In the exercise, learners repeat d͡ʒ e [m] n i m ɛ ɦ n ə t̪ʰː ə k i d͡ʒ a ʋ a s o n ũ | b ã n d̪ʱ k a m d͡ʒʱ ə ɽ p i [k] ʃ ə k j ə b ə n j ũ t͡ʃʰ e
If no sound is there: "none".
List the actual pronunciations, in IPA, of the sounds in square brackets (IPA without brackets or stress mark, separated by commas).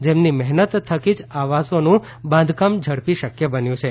m, none